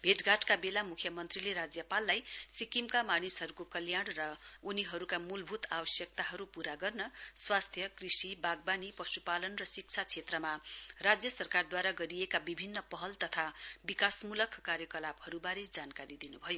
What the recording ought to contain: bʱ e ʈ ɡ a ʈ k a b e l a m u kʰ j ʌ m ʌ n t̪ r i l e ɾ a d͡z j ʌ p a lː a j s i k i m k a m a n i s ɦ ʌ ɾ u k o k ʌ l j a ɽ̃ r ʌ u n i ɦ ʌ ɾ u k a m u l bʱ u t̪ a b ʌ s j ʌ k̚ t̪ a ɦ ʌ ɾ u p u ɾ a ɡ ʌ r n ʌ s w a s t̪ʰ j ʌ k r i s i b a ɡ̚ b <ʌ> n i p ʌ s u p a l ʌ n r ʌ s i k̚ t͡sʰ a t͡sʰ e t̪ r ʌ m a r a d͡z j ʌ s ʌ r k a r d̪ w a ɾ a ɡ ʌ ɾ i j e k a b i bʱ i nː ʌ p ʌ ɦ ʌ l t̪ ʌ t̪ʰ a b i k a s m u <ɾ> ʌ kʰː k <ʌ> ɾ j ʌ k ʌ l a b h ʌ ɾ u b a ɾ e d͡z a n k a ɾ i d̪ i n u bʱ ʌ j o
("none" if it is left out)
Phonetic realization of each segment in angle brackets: a, l, a

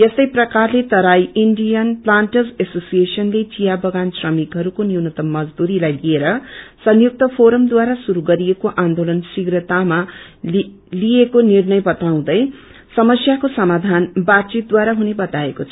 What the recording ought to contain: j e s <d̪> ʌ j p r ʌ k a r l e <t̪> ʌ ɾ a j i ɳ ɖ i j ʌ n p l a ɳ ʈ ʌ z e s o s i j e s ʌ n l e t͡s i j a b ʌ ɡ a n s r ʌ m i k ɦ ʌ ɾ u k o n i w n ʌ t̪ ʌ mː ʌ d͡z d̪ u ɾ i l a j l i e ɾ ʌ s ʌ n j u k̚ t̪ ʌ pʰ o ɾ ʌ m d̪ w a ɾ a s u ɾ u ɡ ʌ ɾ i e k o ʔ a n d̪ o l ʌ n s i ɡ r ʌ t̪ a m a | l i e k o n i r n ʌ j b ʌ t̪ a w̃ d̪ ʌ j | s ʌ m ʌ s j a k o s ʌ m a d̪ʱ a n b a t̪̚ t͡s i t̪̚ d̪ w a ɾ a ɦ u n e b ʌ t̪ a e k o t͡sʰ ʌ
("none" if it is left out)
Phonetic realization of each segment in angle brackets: t̪, t̪

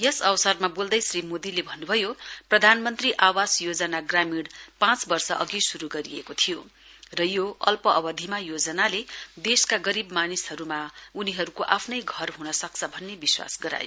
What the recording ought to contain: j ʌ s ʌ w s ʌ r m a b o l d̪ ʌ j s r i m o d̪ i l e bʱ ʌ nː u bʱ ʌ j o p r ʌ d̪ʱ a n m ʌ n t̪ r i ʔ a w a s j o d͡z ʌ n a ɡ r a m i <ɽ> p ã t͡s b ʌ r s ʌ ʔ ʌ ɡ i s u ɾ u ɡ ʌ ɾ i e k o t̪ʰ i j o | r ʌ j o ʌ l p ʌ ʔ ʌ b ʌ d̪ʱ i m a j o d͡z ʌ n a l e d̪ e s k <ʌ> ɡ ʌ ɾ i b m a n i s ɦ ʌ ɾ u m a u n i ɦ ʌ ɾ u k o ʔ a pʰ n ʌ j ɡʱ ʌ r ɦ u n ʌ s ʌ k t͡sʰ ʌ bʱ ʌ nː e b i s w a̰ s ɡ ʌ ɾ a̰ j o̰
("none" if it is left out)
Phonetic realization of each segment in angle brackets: ɽ, a

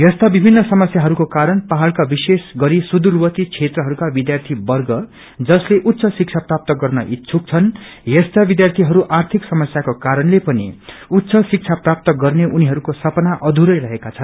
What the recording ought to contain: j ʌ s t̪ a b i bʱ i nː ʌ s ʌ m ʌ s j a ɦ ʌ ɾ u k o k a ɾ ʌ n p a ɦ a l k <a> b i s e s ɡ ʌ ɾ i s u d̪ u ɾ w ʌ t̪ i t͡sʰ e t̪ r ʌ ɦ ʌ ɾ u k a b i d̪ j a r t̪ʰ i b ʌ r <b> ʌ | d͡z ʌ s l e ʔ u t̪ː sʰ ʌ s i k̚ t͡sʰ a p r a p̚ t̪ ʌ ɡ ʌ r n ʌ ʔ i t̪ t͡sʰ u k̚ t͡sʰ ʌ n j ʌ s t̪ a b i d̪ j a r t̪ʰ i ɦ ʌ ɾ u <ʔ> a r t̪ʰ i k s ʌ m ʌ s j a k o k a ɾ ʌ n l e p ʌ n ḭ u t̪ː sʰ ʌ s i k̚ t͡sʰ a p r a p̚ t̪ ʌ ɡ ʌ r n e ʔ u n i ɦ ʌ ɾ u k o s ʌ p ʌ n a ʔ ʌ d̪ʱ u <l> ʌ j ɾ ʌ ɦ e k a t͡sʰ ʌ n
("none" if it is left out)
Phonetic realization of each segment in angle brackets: a, ɡ, ʔ, ɾ

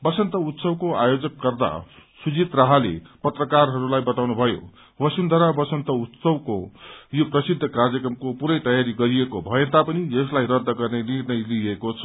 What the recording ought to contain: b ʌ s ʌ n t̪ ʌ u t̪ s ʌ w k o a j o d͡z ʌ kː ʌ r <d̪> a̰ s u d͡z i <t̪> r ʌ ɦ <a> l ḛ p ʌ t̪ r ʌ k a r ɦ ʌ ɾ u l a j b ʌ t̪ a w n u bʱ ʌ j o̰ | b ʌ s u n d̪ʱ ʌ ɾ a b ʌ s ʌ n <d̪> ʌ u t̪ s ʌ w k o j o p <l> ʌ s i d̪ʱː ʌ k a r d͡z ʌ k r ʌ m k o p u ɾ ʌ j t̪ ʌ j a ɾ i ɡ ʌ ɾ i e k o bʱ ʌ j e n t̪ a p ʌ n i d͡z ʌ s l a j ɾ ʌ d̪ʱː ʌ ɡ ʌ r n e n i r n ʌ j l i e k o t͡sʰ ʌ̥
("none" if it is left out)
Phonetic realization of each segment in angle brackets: d̪, t̪, a, t̪, r

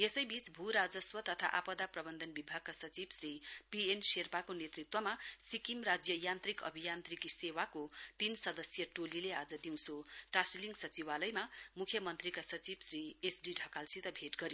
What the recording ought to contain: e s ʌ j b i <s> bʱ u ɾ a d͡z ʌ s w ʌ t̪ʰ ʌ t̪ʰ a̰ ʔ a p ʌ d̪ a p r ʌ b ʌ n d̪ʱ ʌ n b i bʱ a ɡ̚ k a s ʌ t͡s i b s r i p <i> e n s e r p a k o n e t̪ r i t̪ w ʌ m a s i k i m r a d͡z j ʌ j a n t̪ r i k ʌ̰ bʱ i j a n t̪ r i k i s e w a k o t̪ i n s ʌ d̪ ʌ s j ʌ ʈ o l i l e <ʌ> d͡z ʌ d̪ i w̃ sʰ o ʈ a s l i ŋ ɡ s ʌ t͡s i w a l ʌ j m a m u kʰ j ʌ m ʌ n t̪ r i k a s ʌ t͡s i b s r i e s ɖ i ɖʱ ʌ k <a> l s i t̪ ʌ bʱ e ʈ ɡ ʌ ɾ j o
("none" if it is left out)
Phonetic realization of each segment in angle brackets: t͡s, i, a, a

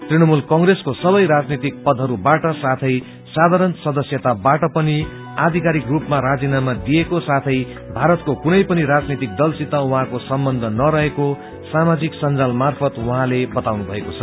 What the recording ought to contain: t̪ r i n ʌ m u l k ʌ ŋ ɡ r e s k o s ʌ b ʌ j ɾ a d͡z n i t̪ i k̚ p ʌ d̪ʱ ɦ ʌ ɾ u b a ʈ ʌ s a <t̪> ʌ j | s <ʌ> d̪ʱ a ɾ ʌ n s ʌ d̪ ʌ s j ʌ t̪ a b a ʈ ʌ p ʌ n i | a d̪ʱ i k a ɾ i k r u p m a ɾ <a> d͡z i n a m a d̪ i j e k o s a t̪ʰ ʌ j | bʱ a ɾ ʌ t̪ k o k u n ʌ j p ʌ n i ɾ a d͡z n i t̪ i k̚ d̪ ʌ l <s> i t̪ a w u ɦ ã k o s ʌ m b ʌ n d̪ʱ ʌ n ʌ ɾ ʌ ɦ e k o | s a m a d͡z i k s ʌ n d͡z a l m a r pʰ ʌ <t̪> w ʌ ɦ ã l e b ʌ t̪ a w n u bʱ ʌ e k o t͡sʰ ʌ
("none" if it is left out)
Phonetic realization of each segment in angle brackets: t̪ʰ, a, a, s, t̪

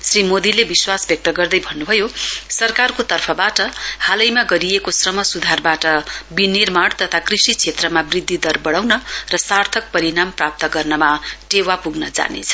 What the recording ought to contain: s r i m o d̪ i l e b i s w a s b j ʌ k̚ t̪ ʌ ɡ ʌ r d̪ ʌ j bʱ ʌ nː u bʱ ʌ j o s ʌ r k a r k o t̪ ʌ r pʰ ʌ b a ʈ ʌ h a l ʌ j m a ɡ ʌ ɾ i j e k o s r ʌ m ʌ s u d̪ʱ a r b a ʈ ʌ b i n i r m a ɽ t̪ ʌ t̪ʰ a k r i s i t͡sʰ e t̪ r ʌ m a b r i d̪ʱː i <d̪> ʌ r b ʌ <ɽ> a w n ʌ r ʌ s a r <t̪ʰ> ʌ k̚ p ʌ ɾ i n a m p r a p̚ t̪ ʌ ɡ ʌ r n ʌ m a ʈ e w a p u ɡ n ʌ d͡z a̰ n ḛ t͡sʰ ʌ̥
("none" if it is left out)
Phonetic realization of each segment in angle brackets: d̪, ɽ, t̪ʰ

